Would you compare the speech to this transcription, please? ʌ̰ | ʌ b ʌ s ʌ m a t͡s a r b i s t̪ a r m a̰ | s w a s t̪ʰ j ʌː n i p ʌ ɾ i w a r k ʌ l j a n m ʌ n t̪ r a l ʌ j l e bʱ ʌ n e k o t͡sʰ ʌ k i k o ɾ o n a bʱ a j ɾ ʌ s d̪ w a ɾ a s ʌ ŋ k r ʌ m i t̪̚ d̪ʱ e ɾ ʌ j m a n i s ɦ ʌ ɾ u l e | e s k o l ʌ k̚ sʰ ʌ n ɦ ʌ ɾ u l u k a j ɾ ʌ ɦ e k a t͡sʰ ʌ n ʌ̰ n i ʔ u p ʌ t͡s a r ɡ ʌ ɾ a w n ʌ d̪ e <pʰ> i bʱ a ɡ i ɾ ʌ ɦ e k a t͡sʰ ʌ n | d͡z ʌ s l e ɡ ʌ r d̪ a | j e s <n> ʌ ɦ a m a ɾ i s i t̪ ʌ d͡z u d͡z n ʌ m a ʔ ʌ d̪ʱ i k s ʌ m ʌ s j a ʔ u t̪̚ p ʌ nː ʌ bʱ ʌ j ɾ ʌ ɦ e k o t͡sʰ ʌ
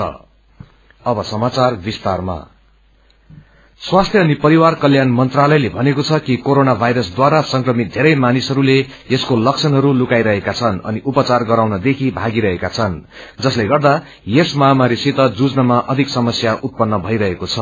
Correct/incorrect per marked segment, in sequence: incorrect: kʰ, incorrect: m

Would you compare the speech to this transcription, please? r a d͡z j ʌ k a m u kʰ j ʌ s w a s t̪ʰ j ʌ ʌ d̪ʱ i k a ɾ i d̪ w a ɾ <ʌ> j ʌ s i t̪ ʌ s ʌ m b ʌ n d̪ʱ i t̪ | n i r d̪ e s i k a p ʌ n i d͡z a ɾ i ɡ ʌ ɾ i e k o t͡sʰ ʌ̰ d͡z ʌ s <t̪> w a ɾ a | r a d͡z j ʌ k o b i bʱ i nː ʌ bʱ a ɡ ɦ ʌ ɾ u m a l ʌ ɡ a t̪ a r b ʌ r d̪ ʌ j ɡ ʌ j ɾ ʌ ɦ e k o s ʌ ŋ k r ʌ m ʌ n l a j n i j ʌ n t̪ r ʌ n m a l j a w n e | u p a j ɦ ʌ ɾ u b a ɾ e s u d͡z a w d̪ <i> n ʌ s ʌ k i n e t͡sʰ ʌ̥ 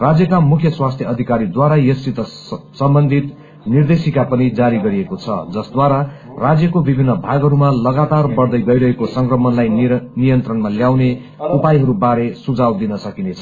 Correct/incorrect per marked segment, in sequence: incorrect: a, incorrect: d̪, correct

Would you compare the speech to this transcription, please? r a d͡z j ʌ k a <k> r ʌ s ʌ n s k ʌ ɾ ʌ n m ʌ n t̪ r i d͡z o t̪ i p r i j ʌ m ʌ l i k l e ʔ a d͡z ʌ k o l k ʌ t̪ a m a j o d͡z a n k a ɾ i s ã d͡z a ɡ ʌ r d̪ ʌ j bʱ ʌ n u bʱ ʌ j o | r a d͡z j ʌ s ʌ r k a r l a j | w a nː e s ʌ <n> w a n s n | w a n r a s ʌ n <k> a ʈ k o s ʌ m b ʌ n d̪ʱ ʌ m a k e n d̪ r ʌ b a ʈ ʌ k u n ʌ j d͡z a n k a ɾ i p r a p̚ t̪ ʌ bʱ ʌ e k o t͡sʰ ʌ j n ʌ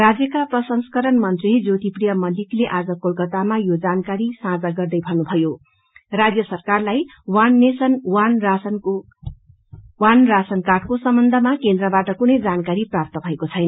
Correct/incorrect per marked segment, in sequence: incorrect: p, correct, correct

